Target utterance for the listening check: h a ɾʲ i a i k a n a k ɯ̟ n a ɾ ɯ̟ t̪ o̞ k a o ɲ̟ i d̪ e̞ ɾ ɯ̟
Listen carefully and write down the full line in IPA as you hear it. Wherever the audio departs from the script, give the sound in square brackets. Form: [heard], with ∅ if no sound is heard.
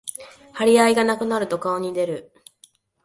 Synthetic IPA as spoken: h a ɾʲ i a i [ɡ] a n a k ɯ̟ n a ɾ ɯ̟ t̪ o̞ k a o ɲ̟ i d̪ e̞ ɾ ɯ̟